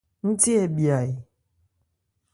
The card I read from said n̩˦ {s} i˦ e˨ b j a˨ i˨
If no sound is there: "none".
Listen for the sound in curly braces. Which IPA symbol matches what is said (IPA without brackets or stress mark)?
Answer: t